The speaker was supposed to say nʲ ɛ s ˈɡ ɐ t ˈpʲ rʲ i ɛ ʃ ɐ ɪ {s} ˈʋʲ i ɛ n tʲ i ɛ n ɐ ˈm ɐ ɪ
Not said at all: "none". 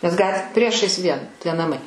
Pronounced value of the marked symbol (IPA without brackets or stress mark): s